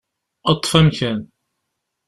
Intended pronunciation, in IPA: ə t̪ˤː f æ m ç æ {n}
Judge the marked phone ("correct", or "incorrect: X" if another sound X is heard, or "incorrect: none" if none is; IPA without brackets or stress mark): correct